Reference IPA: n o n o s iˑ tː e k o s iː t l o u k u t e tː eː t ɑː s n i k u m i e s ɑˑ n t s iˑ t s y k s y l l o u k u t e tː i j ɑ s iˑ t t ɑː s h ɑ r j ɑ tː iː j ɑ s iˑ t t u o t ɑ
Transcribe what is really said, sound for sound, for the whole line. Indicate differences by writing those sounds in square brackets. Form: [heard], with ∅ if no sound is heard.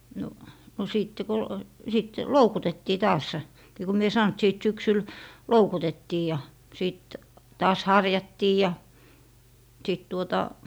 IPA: n o n o s iˑ tː e k o s [i] t l o u k u t e tː [iː] t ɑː s n i k u m i e s ɑˑ n t s iˑ t s y k s y l l o u k u t e tː [iː] j ɑ s iˑ t t ɑː s h ɑ r j ɑ tː iː j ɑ s iˑ t t u o t ɑ